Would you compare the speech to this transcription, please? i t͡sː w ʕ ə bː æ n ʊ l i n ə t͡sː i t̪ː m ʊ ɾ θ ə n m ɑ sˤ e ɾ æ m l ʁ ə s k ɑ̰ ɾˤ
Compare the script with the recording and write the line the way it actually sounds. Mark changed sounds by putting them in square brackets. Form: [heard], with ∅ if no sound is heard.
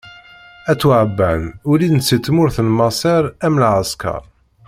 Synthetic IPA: [æ] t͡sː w ʕ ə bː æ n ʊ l i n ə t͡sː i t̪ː m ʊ ɾ θ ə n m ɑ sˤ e ɾ æ m l [ʕ] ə s k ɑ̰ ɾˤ

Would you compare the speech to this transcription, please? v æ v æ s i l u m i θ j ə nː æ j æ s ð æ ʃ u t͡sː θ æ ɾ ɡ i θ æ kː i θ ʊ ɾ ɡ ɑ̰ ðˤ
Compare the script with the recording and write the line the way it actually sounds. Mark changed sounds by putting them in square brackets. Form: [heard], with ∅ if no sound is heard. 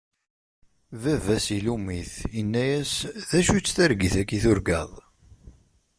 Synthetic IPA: v æ v æ s i l u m i θ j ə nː æ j æ s ð æ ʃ u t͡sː θ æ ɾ ɡ i θ æ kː i θ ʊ ɾ ɡ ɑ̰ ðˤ

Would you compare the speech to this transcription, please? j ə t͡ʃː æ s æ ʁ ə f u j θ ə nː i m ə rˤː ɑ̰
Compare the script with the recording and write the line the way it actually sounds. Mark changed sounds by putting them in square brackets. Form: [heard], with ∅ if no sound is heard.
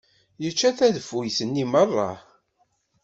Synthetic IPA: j ə t͡ʃː æ [θ] æ [ð] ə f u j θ ə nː i m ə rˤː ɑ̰

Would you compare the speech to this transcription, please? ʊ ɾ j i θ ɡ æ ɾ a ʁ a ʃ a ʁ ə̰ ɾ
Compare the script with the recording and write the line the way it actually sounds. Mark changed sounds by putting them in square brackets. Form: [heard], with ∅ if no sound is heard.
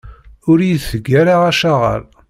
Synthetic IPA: ʊ ɾ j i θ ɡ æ ɾ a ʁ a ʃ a ʁ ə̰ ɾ

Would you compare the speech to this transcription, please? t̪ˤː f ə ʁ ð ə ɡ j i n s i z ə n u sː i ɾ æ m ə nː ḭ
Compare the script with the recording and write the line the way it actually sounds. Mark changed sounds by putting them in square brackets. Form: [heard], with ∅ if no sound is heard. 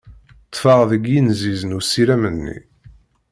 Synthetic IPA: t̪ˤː f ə ʁ ð ə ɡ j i n [z] i z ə n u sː i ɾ æ m ə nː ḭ

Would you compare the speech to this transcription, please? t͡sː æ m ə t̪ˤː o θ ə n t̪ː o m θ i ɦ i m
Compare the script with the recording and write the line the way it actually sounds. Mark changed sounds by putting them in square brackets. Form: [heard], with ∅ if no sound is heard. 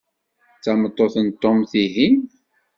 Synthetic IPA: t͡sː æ m ə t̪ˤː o θ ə n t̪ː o m θ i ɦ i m

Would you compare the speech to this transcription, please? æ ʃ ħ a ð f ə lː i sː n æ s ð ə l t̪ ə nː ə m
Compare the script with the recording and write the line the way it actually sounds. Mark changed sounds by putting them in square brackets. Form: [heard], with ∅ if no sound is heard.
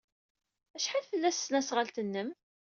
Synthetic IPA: æ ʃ ħ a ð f ə lː [æ] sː n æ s [ʁ] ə l t̪ ə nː ə m

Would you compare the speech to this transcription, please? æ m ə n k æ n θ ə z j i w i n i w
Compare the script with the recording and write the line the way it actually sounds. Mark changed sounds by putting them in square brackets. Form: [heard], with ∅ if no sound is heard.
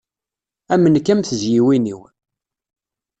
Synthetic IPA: æ m ə n k æ [m] θ ə z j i w i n i w

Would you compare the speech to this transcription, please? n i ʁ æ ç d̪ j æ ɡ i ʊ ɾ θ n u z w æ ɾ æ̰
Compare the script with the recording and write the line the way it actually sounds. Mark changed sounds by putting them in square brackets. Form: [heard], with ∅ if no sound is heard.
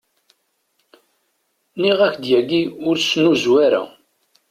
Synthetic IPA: n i ʁ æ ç d̪ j æ ɡ i ʊ ɾ [s] n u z w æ ɾ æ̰

